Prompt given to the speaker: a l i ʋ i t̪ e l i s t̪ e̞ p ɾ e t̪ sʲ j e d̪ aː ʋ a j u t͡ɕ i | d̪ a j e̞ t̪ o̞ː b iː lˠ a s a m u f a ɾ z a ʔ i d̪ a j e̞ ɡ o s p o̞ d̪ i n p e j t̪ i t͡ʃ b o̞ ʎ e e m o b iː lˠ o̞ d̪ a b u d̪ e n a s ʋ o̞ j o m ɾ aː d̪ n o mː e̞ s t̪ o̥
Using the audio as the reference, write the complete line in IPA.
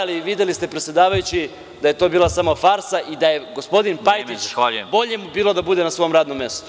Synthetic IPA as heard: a l i ʋ i d̪ e l i s t̪ e̞ p ɾ e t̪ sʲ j e d̪ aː ʋ a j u t͡ɕ i | d̪ a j e̞ t̪ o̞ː b iː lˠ a s a m o f a ɾ s a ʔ i d̪ a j e̞ ɡ o s p o̞ d̪ i n p a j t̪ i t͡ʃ b o̞ ʎ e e m u b iː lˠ o̞ d̪ a b u d̪ e n a s ʋ o̞ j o m ɾ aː d̪ n o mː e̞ s t̪ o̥